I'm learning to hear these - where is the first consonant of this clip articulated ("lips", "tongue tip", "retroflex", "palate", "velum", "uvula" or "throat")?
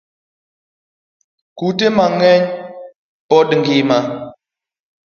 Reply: velum